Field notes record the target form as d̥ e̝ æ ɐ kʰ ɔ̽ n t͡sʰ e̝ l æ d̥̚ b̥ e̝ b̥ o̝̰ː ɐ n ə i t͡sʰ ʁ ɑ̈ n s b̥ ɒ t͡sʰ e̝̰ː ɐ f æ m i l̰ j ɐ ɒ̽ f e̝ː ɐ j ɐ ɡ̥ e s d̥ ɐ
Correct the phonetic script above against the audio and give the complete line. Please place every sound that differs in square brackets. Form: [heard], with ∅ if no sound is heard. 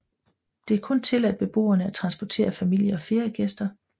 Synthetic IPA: d̥ e̝ æ ɐ kʰ ɔ̽ n t͡sʰ e̝ l æ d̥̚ b̥ e̝ b̥ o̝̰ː ɐ n ə [æ] t͡sʰ ʁ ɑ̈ n s b̥ ɒ t͡sʰ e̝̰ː ɐ f æ m i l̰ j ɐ ɒ̽ f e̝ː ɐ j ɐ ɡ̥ e s d̥ ɐ